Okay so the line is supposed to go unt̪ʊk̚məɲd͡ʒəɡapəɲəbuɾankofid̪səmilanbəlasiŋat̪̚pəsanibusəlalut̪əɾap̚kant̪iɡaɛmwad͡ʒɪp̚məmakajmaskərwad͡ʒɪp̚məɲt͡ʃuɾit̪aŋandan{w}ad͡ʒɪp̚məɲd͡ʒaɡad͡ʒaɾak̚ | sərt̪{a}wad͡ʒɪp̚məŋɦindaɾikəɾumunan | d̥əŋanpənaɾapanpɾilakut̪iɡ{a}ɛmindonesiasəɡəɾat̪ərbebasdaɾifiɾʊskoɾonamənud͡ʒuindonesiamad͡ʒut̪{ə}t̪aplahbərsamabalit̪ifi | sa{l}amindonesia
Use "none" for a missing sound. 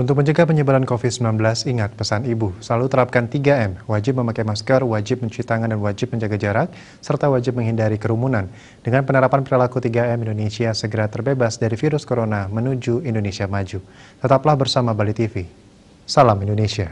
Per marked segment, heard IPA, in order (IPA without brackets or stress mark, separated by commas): w, a, a, ə, l